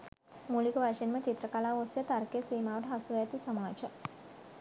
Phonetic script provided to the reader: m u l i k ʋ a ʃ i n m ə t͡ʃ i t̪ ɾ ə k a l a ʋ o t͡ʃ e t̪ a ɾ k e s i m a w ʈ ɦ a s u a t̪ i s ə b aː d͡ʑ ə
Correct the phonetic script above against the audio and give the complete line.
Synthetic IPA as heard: m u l i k ʋ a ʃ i n m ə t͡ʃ i t̪ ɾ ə k a l a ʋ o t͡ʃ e t̪ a ɾ k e s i m a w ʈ ɦ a s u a t̪ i s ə m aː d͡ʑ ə